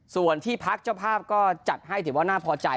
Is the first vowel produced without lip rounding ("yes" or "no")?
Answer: no